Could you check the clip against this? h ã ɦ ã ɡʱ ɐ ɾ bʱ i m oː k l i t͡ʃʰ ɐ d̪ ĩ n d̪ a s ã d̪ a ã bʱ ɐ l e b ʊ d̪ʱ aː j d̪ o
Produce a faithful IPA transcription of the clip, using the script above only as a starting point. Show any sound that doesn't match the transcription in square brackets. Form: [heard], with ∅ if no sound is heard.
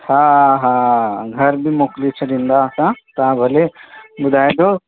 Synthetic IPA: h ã ɦ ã ɡʱ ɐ ɾ bʱ i m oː k l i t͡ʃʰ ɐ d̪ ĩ n d̪ a s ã [t̪] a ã bʱ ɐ l e b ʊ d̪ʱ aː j d̪ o

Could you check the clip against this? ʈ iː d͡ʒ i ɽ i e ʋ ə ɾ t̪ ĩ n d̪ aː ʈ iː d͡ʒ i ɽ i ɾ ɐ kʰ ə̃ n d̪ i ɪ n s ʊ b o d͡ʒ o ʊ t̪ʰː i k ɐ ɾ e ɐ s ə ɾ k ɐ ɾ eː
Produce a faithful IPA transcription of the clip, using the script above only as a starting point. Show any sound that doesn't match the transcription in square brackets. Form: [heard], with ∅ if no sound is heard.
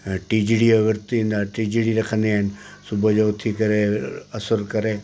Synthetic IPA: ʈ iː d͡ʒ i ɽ i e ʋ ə ɾ t̪ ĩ n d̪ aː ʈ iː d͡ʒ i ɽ i ɾ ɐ kʰ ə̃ n d̪ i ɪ n s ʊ b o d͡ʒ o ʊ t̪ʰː i k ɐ ɾ e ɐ s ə ɾ k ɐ ɾ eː

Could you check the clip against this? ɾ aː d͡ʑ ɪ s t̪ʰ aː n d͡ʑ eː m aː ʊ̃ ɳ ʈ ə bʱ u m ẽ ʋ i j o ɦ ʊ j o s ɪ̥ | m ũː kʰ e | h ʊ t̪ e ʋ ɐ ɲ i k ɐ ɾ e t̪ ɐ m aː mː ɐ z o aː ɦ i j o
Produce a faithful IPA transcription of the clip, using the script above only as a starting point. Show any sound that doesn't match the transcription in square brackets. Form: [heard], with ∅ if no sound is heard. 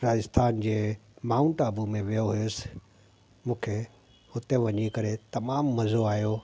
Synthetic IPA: ɾ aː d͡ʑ ɪ s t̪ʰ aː n d͡ʑ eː m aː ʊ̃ ɳ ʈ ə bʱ u m ẽ ʋ i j o ɦ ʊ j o s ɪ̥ | m ũː kʰ e | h ʊ t̪ e ʋ ɐ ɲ i k ɐ ɾ e t̪ ɐ m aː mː ɐ z o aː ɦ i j o

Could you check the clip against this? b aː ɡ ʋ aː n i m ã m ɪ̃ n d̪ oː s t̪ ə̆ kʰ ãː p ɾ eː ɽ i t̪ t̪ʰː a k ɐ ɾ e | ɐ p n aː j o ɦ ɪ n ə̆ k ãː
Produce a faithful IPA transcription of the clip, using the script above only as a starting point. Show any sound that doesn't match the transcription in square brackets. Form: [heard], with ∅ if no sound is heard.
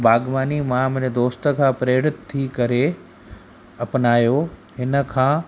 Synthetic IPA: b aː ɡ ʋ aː n i m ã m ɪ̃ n d̪ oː s t̪ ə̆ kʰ ãː p ɾ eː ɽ [ɪ] t̪ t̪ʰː [i] k ɐ ɾ e | ɐ p n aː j o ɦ ɪ n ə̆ [kʰ] ãː

